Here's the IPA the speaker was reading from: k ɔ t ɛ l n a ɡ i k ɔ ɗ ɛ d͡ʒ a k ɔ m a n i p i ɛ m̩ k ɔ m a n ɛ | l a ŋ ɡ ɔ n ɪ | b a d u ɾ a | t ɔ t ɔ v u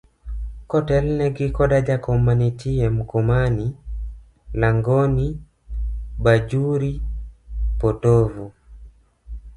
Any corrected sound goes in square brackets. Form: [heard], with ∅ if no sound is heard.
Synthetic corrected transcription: k ɔ t ɛ l n [ɛ] ɡ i k ɔ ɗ [a] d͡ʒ a k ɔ m a n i [t] i ɛ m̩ k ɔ m a n [i] | l a ŋ ɡ ɔ n [i] | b a [d͡ʒ] u ɾ [i] | [p] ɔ t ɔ v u